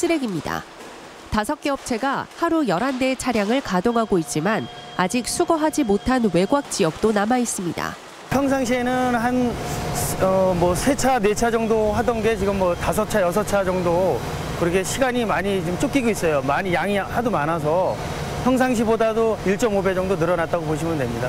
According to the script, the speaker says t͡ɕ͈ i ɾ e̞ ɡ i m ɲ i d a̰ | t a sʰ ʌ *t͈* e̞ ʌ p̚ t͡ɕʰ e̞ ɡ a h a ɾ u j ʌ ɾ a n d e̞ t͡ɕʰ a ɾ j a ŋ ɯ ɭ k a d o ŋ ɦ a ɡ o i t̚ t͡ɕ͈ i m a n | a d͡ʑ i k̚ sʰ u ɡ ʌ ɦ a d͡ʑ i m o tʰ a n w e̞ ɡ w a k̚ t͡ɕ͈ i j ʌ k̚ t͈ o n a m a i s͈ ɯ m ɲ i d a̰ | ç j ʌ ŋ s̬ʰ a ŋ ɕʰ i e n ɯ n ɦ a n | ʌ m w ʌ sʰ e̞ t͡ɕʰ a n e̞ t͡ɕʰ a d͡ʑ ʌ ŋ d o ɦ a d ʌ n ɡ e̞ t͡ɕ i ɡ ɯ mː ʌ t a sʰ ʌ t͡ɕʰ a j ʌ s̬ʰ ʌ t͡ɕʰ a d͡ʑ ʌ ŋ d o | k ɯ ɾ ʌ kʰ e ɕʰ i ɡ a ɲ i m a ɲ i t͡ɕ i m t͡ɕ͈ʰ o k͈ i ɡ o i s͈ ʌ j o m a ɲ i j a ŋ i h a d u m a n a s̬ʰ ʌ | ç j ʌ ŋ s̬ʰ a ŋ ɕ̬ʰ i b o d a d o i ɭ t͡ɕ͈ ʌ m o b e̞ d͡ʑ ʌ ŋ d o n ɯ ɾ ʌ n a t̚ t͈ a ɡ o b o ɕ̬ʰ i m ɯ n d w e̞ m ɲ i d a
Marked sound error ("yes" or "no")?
yes